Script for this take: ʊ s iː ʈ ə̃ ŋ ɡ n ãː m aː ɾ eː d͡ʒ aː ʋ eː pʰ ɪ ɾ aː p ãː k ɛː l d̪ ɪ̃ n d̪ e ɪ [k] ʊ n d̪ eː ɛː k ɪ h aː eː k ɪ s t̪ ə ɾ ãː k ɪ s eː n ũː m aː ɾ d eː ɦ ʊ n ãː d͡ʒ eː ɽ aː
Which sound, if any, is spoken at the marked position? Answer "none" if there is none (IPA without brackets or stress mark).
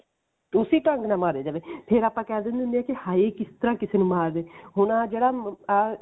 none